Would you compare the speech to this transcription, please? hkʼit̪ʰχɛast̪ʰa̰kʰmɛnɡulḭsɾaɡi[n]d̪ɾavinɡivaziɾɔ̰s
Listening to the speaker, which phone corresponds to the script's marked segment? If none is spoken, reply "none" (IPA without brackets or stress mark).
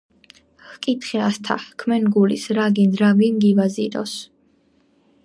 n